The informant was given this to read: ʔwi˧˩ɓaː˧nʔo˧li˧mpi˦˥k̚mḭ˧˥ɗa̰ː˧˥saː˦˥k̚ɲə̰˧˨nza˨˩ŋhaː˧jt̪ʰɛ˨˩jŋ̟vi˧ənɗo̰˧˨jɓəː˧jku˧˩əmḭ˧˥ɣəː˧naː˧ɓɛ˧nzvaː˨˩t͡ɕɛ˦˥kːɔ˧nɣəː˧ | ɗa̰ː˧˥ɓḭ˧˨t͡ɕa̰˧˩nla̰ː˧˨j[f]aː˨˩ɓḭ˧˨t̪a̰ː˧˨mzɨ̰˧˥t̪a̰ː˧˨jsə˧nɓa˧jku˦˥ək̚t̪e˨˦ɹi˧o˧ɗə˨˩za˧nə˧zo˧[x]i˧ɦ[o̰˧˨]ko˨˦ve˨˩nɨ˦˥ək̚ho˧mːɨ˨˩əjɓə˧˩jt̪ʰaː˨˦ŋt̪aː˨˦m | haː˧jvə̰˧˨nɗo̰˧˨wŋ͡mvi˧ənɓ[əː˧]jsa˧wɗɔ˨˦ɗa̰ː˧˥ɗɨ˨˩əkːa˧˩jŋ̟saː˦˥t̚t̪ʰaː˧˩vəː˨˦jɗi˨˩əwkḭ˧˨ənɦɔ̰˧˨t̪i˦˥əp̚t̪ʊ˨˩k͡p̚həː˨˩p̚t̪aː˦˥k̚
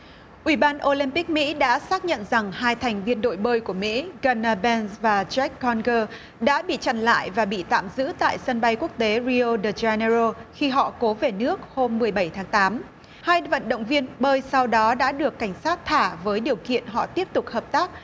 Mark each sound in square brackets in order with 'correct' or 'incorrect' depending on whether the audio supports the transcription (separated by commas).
incorrect, correct, incorrect, correct